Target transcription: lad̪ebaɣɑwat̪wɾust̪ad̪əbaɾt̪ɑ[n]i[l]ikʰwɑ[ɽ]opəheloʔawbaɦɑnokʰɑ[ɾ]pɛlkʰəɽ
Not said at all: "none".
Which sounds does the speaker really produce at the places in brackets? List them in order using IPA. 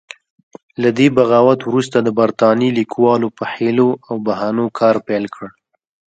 n, l, l, ɾ

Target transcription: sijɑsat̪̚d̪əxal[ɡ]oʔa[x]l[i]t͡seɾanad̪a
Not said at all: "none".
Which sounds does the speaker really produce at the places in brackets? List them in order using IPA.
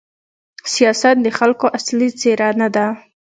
k, s, i

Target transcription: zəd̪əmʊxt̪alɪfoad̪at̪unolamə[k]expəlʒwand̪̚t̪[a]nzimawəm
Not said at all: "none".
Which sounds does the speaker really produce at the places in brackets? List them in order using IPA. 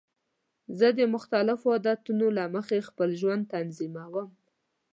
x, a

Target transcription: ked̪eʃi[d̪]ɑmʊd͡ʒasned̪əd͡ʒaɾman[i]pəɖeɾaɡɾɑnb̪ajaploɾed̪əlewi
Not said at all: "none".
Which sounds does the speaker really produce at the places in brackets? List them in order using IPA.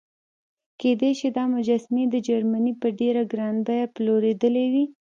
d̪, i

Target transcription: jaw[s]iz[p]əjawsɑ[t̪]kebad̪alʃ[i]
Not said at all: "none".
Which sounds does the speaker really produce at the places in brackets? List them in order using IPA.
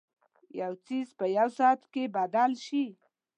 t͡s, p, t̪, i

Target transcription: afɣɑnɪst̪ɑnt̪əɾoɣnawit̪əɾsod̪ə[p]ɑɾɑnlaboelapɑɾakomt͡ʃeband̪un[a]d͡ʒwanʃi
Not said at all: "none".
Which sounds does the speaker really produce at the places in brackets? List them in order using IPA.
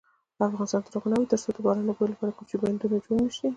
b, a

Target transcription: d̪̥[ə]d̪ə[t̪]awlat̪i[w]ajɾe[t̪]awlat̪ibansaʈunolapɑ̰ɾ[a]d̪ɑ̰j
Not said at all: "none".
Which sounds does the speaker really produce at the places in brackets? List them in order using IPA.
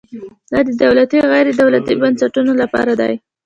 ɑ, d̪, ɣ, d̪, a

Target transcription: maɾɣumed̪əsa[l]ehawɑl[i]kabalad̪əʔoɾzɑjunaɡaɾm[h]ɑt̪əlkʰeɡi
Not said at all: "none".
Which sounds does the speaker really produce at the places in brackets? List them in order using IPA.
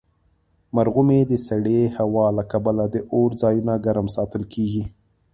ɽ, a, s

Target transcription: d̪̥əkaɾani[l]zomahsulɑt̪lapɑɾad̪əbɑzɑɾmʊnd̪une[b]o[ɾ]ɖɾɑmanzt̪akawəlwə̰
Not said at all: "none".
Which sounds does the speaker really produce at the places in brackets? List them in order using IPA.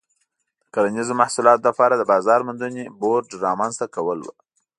none, b, ɾ

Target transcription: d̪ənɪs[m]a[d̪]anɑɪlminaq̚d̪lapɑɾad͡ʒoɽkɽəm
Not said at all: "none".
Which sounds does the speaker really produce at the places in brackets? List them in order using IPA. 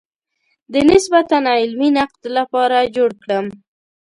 b, t̪

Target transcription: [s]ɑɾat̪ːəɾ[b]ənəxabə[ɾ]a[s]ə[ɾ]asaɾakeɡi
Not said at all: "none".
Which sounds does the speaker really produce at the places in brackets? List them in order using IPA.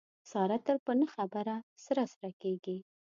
s, p, ɾ, s, ɾ

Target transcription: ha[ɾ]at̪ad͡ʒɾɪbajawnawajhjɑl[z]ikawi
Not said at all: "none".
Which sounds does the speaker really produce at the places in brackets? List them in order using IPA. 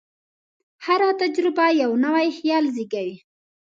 ɾ, z

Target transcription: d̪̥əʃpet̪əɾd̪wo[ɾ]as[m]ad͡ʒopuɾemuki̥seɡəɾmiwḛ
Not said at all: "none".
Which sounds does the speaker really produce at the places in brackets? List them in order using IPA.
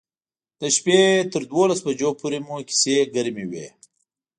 l, b

